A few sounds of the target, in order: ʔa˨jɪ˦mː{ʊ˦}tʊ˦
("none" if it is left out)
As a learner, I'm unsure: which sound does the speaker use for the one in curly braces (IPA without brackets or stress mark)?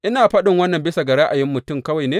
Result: ʊ˨